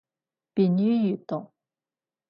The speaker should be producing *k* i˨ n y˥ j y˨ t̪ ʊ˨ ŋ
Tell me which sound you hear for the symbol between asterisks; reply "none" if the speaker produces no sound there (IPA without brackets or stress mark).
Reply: p